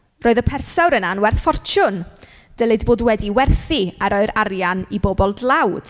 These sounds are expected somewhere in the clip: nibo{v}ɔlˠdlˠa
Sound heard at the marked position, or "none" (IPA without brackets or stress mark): b